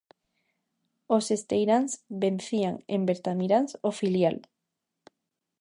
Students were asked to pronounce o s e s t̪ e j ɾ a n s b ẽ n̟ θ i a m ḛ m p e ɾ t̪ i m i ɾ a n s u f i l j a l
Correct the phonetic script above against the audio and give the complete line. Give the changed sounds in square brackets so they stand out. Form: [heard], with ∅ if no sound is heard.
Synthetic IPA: o s e s t̪ e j ɾ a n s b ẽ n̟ θ i a [ŋ] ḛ m [b] e ɾ t̪ [a] m i ɾ a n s [o] f i l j a l